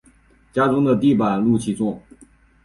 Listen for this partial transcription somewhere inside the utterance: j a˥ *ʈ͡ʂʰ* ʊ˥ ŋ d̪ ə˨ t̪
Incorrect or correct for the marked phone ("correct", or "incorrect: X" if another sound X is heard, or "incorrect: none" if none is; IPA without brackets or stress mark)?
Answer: incorrect: ʈ͡ʂ